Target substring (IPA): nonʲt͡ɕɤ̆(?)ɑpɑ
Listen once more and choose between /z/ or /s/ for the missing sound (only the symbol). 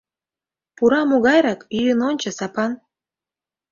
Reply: s